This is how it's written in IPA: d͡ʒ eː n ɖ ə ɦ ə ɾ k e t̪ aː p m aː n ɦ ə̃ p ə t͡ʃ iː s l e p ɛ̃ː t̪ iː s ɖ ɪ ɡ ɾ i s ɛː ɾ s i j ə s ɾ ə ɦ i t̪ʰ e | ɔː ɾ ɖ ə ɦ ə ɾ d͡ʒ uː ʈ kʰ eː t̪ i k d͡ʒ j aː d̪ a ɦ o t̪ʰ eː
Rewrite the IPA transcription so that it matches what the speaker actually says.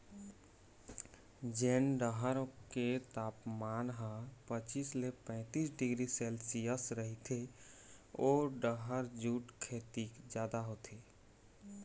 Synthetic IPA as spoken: d͡ʒ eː n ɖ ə ɦ ə ɾ k e t̪ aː p m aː n ɦ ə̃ p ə t͡ʃ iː s l e p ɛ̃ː t̪ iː s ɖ ɪ ɡ ɾ i s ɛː l s i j ə s ɾ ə ɦ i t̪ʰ e | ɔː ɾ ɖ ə ɦ ə ɾ d͡ʒ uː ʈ kʰ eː t̪ i k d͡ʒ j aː d̪ a ɦ o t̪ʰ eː